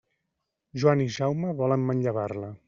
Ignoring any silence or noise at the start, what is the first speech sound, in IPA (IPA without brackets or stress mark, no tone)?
ʒ